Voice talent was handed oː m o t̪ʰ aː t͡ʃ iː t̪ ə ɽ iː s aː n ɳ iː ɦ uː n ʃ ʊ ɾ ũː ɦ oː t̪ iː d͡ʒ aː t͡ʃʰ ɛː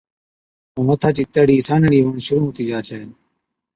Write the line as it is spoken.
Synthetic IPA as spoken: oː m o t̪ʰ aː t͡ʃ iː t̪ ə ɽ iː s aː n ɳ iː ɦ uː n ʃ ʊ ɾ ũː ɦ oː t̪ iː d͡ʒ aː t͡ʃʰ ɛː